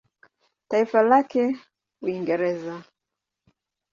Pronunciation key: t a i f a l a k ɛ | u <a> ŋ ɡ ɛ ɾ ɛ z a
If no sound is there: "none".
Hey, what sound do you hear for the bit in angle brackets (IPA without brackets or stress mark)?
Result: i